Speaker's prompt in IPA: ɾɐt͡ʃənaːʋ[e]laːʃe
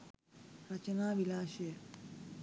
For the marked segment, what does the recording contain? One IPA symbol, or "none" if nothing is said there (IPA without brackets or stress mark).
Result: i